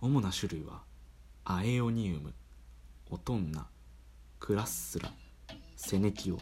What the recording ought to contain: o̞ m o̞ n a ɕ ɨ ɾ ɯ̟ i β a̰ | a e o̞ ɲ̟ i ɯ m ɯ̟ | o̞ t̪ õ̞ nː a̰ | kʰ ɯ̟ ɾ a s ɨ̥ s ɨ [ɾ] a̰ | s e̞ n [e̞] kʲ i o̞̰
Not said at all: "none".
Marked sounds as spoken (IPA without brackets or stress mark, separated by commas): ɾ, e̞